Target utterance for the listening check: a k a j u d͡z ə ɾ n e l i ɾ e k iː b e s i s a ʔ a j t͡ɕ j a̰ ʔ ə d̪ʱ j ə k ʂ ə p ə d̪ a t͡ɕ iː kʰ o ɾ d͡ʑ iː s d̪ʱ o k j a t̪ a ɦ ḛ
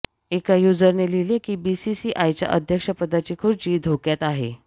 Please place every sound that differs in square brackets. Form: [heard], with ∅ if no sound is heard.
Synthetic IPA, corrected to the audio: [e] k a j u d͡z ə ɾ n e l i [l] e k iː b [i] s i s [i] ʔ a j t͡ɕ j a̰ ʔ ə d̪ʱ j ə k ʂ ə p ə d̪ a t͡ɕ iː kʰ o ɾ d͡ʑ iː [∅] d̪ʱ o k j a t̪ a ɦ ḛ